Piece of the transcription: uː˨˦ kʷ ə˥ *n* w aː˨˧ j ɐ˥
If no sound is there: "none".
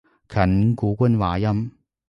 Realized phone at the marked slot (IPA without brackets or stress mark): n